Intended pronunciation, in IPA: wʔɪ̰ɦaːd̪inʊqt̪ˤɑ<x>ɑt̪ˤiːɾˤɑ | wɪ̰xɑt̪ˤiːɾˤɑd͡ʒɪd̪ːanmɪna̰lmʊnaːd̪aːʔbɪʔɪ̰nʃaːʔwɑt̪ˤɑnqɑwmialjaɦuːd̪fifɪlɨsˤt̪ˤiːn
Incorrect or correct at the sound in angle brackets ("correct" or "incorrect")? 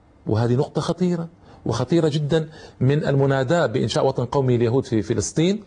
correct